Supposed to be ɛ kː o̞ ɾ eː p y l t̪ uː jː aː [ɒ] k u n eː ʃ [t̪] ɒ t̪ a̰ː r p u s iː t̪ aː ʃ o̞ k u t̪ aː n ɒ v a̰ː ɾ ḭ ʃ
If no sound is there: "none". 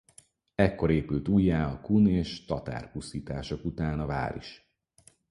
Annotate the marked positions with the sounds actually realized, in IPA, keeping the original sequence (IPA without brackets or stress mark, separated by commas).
ɒ, t̪